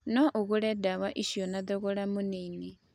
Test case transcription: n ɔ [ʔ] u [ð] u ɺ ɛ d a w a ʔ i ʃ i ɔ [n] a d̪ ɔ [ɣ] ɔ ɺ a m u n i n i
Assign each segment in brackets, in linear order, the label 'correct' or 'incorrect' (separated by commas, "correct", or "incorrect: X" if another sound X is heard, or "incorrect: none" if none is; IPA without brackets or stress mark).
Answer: correct, incorrect: ɣ, correct, correct